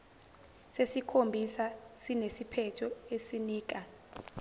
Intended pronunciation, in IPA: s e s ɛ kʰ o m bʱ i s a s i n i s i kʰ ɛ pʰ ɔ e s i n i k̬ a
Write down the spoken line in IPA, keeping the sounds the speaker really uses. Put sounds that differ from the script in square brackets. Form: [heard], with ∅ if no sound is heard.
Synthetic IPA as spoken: s e s [i] kʰ o m bʱ i s a s i n [e] s i [pʰ] ɛ [tʰ] ɔ e s i n [iː] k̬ a